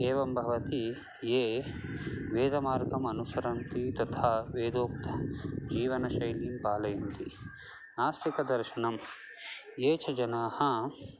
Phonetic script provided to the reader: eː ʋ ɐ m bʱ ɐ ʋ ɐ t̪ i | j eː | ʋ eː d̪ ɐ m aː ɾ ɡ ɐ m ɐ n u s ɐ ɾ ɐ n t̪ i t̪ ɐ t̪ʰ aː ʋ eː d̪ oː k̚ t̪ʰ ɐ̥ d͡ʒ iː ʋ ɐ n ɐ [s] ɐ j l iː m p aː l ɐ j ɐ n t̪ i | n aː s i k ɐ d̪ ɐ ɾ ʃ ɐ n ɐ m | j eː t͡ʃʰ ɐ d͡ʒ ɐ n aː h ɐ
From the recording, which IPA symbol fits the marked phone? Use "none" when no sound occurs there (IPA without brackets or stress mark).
ʃ